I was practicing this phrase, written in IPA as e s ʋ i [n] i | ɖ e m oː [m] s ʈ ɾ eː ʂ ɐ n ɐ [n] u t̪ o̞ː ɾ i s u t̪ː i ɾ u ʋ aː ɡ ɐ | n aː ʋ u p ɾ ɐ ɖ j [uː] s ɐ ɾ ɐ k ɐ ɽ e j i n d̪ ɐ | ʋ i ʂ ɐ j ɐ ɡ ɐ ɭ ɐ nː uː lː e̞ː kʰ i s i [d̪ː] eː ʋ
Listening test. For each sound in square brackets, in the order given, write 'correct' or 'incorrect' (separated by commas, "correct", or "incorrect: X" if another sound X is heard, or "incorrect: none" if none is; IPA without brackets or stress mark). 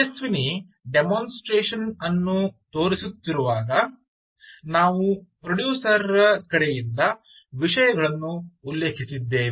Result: correct, incorrect: n, incorrect: nː, correct, correct